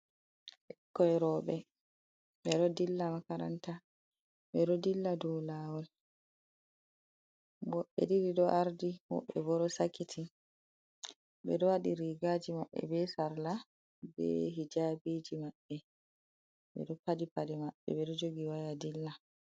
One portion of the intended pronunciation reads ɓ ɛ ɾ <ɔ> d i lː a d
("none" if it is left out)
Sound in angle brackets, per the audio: ɔ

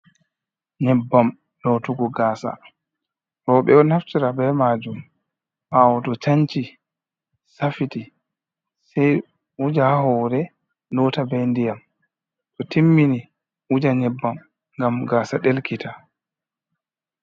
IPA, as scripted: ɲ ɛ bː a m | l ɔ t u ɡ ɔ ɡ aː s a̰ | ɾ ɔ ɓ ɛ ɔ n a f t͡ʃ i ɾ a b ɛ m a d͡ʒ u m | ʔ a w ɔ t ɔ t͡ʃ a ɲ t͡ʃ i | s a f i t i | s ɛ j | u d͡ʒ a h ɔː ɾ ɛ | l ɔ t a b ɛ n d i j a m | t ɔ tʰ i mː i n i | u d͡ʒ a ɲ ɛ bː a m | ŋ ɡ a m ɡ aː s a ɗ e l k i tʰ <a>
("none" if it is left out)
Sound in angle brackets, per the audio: a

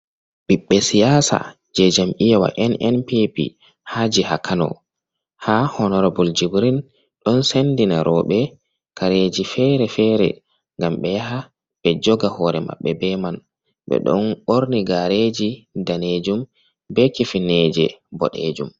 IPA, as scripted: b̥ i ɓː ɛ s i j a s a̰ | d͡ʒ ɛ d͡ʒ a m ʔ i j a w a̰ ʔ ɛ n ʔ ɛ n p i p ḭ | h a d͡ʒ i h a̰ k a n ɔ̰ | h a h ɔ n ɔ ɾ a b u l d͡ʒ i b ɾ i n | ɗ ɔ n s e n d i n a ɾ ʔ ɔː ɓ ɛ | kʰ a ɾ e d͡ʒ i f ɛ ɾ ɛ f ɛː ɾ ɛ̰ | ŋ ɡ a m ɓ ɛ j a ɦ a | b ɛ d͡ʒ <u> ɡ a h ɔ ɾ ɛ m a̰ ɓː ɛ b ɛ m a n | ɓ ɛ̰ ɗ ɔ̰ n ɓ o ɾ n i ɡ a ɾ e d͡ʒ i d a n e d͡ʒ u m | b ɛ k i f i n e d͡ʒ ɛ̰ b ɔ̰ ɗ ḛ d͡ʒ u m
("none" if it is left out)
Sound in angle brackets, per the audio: ɔ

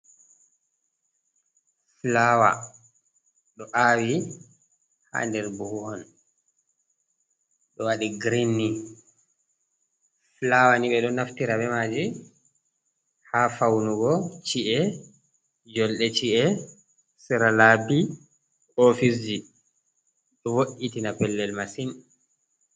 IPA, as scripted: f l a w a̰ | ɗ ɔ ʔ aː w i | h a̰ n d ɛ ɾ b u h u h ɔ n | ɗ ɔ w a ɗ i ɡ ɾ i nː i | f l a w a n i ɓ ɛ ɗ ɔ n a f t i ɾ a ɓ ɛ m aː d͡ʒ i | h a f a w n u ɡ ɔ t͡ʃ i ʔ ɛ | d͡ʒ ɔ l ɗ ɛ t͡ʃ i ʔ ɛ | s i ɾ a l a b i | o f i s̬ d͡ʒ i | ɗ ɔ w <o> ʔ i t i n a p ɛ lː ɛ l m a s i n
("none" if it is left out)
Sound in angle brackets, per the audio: o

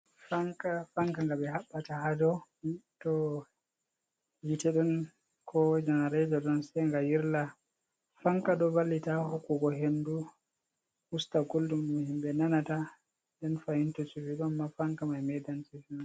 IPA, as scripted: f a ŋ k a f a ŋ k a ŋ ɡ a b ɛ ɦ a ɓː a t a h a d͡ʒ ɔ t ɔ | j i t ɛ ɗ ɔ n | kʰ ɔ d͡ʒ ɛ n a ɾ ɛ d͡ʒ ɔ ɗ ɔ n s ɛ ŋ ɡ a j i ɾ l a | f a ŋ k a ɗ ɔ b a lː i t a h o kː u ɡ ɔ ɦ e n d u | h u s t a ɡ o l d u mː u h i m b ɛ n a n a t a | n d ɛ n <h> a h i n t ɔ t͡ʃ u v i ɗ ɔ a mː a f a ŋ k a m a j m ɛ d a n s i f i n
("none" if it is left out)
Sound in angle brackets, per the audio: f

